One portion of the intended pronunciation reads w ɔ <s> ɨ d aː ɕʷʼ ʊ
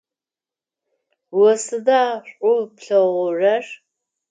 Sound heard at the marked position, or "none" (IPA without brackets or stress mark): s